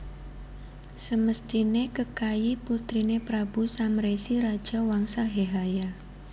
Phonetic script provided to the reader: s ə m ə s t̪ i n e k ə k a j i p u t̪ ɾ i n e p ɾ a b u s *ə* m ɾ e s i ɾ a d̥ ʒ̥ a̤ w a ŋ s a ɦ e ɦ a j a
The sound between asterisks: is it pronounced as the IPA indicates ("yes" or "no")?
no